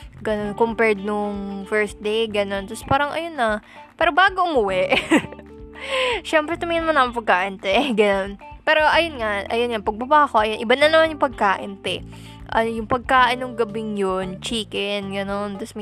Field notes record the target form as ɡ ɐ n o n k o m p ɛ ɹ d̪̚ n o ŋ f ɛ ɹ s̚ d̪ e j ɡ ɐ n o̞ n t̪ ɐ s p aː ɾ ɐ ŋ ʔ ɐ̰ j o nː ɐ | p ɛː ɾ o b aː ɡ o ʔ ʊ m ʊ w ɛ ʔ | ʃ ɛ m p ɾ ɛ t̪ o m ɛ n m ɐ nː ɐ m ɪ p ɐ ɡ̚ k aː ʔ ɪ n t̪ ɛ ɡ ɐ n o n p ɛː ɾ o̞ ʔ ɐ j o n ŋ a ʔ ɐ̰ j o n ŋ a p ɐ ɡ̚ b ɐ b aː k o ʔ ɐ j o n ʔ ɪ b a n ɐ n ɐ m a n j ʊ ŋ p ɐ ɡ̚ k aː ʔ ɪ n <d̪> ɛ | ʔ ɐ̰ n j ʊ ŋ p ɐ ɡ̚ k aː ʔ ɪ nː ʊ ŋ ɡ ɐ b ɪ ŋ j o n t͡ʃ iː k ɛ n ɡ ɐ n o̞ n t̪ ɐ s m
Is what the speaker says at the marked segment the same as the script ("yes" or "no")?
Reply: no